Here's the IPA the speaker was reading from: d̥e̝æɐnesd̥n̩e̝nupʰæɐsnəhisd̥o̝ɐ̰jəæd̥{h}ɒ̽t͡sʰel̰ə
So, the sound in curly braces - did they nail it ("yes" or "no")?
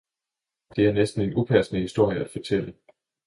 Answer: no